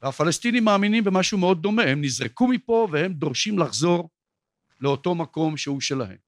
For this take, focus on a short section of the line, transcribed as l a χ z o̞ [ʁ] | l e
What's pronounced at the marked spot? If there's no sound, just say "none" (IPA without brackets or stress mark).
ʁ